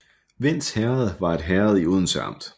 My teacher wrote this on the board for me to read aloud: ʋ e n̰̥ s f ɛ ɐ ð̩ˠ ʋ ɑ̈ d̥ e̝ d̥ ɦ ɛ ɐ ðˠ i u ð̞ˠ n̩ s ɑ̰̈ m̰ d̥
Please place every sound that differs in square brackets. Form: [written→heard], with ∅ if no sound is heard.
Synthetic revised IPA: ʋ e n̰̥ s [f→h] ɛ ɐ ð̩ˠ ʋ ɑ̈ [d̥→∅] e̝ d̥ ɦ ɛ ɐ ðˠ i u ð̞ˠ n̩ s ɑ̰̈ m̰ d̥